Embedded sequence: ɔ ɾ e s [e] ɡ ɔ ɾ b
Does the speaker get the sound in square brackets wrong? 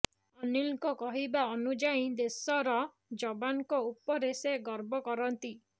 no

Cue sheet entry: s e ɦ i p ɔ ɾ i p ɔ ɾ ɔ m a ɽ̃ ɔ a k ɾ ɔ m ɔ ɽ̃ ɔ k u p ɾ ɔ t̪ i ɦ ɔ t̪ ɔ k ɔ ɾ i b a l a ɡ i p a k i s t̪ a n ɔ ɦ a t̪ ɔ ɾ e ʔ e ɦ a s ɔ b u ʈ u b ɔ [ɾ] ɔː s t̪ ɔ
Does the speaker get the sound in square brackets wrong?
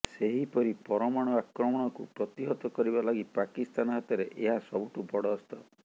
yes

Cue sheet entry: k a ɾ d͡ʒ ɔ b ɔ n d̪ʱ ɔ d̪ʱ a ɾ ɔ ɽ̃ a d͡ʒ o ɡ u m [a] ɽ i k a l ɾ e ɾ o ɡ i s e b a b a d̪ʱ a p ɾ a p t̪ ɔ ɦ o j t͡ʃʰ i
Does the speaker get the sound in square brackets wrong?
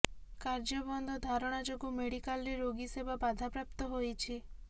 yes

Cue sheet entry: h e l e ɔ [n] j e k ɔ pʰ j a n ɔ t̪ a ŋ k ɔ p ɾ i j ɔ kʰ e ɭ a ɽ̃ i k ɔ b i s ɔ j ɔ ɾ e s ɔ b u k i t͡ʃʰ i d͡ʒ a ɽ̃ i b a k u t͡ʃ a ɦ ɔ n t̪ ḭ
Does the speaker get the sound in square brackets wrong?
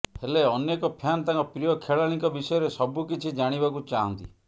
no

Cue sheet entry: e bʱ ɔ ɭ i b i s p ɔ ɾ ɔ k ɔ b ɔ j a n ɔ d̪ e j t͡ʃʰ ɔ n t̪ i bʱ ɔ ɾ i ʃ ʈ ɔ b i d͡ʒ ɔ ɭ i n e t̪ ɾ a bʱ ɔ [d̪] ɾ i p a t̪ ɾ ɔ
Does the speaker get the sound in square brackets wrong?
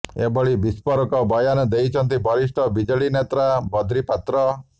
no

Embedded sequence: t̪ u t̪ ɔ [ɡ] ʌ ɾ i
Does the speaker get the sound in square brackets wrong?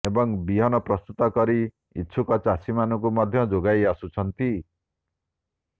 yes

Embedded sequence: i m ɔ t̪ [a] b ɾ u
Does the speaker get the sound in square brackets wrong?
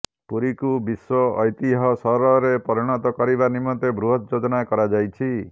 yes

